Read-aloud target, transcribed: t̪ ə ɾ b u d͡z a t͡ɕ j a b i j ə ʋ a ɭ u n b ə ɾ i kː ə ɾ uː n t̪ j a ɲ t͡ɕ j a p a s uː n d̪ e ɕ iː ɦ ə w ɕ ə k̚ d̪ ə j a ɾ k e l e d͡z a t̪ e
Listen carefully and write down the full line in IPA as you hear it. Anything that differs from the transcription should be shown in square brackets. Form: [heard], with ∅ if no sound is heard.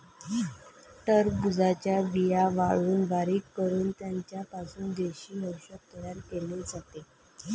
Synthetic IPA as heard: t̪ ə ɾ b u d͡z a t͡ɕ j a b i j [a] ʋ a ɭ [uː] n b [a] ɾ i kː ə ɾ uː n t̪ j a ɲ t͡ɕ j a p a s uː n d̪ e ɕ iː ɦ ə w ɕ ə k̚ [t̪] ə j a ɾ k e l e d͡z a t̪ e